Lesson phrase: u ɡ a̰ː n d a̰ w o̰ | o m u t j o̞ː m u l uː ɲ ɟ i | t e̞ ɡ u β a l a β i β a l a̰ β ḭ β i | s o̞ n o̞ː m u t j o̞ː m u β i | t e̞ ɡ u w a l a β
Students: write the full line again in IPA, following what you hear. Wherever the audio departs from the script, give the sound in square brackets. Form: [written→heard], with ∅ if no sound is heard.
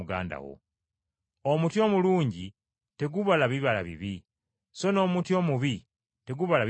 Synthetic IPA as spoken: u ɡ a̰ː n d a̰ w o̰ | o m u t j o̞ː m u l uː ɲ ɟ i | t e̞ ɡ u β a l a β i β a l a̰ β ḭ β i | s o̞ n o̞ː m u t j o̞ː m u β i | t e̞ ɡ u [w→β] a l a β